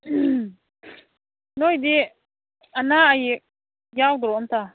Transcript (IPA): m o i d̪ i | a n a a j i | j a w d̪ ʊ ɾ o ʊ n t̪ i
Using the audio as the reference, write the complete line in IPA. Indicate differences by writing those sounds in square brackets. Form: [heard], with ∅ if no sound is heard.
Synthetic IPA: [n] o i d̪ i | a n a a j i | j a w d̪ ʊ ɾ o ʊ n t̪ [a]